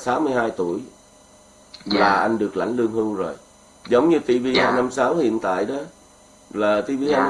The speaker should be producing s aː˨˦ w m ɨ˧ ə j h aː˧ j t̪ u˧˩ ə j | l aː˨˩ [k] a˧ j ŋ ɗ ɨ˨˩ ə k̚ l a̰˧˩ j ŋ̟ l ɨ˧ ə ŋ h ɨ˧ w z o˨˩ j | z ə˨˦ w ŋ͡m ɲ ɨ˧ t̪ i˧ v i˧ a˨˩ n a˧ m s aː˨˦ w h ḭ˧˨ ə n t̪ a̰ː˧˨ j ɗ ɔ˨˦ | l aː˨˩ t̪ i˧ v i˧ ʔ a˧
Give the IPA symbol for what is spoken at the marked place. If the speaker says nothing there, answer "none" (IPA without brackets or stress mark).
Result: ʔ